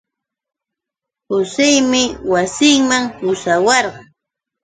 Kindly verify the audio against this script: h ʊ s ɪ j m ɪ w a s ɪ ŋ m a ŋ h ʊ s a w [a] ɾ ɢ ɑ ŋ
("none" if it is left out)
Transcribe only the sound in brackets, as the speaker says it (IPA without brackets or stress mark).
ɑ